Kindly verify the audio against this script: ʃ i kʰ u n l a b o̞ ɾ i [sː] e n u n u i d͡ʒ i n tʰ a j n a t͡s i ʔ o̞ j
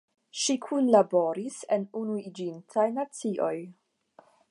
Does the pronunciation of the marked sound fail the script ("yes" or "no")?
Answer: yes